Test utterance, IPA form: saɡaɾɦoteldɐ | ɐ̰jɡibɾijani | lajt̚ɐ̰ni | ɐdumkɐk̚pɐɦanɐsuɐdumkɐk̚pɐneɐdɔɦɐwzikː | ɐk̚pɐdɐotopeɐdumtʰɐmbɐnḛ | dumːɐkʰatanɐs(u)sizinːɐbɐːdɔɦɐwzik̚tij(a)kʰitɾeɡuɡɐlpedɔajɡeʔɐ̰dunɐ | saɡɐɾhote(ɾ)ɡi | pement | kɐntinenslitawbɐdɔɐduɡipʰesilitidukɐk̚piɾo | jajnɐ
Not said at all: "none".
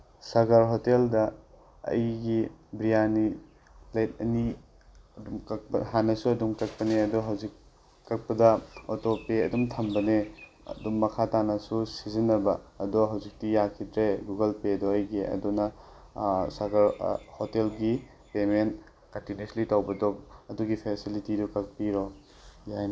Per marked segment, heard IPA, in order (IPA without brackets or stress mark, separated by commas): u, a, l